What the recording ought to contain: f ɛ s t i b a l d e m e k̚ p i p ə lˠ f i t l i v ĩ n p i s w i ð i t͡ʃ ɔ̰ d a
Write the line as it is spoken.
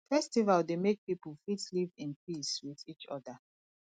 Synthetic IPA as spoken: f ɛ s t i v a l d e m e k̚ p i p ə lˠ f i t l i v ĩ n p i s w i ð i t͡ʃ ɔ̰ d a